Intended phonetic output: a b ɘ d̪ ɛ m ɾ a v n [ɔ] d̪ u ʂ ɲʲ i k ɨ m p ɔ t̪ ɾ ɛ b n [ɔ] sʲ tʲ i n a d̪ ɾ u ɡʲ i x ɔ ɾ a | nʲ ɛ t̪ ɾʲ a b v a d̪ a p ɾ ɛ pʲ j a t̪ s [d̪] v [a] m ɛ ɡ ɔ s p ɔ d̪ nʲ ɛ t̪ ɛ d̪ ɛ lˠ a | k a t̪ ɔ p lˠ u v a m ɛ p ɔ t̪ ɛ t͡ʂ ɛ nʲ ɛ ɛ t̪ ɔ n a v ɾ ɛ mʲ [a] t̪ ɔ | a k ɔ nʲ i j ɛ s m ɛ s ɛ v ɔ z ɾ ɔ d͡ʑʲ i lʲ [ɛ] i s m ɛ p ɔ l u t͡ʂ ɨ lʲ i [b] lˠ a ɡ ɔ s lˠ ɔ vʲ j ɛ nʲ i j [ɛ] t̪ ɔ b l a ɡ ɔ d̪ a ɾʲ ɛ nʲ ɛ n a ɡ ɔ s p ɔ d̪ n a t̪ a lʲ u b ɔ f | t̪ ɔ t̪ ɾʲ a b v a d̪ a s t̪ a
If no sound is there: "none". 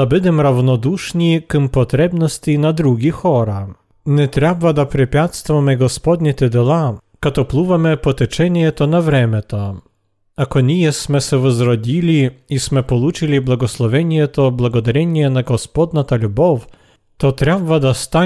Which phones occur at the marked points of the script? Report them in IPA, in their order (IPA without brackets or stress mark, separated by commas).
ɔ, ɔ, t̪, a, ɛ, i, b, ɛ